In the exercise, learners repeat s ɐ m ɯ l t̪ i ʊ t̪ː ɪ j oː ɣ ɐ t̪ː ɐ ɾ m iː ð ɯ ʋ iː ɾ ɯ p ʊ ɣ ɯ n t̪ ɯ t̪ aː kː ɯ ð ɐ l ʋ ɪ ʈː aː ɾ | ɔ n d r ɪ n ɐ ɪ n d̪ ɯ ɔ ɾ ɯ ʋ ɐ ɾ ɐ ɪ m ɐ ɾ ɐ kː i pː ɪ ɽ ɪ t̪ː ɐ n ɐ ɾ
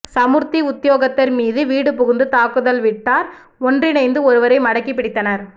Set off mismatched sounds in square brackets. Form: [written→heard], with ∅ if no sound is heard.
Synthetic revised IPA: s ɐ m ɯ [l→ɾ] t̪ i ʊ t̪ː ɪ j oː ɣ ɐ t̪ː ɐ ɾ m iː ð ɯ ʋ iː [ɾ→ɽ] ɯ p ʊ ɣ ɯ n [t̪→d̪] ɯ t̪ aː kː ɯ ð ɐ l ʋ ɪ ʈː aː ɾ | ɔ n d r ɪ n ɐ ɪ n d̪ ɯ ɔ ɾ ɯ ʋ ɐ ɾ ɐ ɪ m ɐ [ɾ→ɽ] ɐ kː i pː ɪ ɽ ɪ t̪ː ɐ n ɐ ɾ